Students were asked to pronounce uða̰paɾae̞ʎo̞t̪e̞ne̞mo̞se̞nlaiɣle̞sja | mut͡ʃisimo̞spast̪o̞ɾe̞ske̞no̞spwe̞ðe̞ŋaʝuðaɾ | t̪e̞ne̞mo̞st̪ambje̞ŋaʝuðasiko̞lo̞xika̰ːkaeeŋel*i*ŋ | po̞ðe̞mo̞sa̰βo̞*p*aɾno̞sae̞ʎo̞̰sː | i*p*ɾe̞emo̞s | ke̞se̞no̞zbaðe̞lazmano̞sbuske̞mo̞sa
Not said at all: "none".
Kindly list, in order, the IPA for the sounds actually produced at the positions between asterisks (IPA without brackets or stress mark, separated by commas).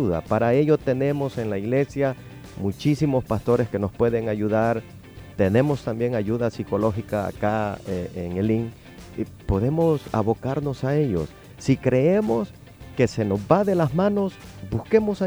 i, k, k